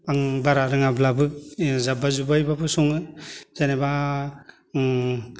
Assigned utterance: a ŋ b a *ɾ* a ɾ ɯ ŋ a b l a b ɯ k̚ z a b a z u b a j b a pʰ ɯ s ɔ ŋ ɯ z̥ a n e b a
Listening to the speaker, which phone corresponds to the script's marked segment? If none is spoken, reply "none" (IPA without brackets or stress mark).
ɾ